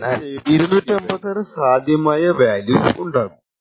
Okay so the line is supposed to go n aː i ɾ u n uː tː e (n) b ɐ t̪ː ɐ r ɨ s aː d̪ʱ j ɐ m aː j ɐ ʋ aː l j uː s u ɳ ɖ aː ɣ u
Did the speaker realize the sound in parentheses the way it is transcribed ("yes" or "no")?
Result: no